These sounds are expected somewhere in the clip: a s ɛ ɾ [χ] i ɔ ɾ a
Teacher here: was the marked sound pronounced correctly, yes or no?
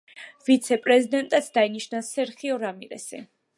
yes